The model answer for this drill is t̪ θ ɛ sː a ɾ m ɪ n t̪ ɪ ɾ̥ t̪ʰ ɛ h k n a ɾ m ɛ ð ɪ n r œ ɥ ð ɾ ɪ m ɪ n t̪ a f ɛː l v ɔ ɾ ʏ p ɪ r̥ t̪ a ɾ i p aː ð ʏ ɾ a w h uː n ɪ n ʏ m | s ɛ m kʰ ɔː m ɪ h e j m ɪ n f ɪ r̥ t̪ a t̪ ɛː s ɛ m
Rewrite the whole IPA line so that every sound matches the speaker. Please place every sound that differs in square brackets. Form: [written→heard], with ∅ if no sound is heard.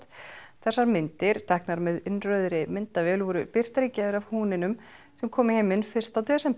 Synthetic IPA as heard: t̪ θ ɛ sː a ɾ m ɪ n t̪ ɪ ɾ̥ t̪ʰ ɛ h k n a ɾ m ɛ ð ɪ n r œ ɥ ð ɾ ɪ m ɪ n t̪ a [f→v] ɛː l v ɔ ɾ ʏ p ɪ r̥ t̪ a ɾ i [p→c] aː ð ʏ ɾ a [w→v] h uː n ɪ n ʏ m | s ɛ m kʰ ɔː m ɪ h e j m ɪ n f ɪ r̥ t̪ a t̪ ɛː s ɛ m